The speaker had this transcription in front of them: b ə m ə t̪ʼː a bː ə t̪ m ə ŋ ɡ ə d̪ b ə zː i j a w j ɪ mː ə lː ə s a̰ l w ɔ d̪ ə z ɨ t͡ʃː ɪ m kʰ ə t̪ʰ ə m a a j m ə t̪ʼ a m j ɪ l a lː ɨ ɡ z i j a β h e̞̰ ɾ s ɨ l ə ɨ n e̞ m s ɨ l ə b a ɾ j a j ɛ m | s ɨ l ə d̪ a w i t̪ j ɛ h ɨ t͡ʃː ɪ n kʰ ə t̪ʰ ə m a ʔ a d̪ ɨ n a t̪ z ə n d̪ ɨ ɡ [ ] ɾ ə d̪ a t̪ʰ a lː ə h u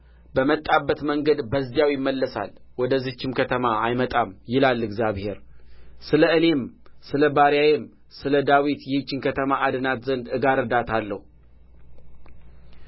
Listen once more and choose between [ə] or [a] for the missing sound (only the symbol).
a